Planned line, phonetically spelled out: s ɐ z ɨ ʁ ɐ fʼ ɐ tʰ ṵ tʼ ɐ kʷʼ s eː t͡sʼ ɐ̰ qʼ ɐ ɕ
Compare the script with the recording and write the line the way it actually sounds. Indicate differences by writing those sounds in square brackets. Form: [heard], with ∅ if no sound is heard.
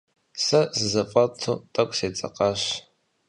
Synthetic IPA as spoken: s ɐ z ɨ [z] ɐ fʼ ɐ tʰ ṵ tʼ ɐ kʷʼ s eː t͡sʼ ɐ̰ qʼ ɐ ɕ